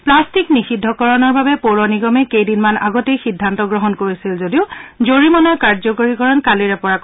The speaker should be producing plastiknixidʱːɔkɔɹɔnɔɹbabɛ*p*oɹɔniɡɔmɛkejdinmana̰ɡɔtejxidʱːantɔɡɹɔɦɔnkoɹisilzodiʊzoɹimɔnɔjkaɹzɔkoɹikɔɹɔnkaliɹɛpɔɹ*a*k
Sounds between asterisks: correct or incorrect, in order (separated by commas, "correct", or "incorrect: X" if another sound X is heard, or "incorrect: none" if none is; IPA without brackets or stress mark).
correct, correct